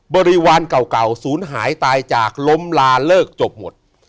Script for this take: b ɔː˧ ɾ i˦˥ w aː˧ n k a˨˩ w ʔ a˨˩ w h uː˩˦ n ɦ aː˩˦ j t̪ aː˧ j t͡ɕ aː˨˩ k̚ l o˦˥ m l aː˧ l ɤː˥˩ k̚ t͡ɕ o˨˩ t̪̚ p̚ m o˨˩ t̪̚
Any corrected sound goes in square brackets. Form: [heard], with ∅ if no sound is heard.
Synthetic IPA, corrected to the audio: b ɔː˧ ɾ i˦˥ w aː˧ n k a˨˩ w [k] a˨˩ w [s] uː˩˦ n ɦ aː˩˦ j t̪ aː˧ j t͡ɕ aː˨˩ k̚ l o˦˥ m l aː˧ l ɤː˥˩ k̚ t͡ɕ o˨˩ [∅] p̚ m o˨˩ t̪̚